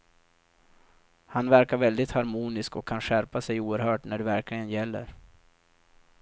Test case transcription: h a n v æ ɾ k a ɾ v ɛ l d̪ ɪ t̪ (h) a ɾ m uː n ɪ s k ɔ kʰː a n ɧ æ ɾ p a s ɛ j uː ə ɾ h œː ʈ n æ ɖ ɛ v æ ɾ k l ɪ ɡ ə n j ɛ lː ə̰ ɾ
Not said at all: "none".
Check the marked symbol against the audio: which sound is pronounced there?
h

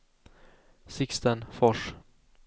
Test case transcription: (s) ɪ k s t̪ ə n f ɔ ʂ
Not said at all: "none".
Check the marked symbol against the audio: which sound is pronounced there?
s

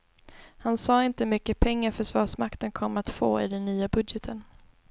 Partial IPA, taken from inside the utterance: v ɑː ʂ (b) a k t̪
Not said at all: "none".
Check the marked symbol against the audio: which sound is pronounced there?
m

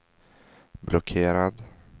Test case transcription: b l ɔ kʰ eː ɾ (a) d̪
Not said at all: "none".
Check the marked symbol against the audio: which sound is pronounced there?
a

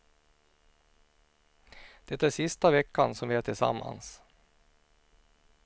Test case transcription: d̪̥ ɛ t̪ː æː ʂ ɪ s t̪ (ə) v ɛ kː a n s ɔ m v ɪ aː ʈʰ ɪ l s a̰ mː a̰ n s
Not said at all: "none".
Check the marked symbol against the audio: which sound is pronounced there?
a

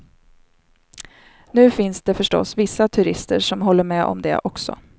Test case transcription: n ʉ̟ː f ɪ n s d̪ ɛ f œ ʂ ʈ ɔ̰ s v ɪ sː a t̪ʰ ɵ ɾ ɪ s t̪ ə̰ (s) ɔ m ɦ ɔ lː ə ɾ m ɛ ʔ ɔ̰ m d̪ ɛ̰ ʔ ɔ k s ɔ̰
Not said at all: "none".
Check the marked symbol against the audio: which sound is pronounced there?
ʂ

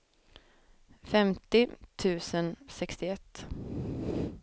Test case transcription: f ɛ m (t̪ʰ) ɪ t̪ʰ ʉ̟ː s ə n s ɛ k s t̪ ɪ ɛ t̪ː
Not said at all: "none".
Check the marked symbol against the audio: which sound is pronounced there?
t̪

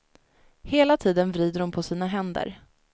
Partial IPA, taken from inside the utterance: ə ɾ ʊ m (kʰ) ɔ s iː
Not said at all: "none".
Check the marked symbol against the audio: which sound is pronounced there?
pʰ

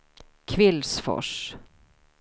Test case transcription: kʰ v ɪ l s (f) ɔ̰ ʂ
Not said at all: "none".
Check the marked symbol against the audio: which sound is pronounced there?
f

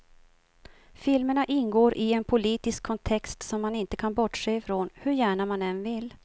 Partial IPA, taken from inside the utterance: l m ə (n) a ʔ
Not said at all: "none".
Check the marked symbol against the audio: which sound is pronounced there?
ɳ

